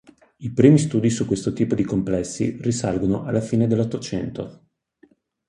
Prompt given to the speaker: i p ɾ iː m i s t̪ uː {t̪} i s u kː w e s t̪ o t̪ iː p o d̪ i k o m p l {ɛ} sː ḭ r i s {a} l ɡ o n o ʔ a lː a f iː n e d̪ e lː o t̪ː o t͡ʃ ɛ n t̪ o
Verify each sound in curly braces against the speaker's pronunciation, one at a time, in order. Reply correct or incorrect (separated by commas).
incorrect, correct, correct